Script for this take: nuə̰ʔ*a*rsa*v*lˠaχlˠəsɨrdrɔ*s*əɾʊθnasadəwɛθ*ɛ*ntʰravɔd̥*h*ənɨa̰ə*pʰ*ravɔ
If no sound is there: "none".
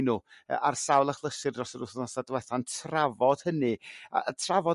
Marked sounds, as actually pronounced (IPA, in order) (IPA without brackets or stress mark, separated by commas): a, w, s, a, h, tʰ